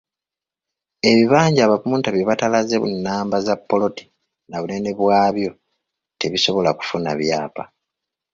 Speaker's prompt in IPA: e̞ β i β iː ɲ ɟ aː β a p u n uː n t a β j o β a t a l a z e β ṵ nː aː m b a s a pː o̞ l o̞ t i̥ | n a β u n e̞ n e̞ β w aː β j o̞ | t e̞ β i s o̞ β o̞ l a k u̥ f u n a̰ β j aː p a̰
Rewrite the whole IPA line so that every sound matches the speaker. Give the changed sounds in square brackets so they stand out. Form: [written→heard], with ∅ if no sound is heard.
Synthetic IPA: e̞ β i β [iː→aː] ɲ ɟ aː β a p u [n→m] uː n t a β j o β a t a l a z e β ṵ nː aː m b a [s→z] a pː o̞ l o̞ t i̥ | n a β u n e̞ n e̞ β w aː β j o̞ | t e̞ β i s o̞ β o̞ l a k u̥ f u n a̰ β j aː p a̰